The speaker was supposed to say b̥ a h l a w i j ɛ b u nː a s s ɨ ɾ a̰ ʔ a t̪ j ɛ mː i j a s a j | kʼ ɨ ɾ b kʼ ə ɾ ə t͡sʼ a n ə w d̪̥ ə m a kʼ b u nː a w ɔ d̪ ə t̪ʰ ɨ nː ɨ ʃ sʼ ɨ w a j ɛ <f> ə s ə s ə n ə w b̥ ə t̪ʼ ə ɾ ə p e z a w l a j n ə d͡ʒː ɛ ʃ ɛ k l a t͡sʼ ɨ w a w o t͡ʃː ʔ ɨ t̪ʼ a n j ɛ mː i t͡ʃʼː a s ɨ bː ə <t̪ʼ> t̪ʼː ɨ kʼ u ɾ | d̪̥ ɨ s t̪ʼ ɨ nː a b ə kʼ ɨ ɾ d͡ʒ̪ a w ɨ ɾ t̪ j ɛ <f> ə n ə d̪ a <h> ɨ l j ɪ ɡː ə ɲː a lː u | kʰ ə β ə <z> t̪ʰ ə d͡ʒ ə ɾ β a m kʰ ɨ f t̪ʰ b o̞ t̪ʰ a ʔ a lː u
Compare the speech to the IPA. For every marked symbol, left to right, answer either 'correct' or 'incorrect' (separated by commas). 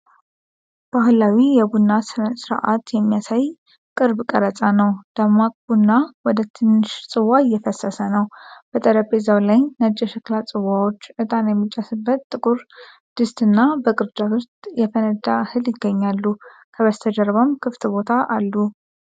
correct, incorrect, correct, correct, incorrect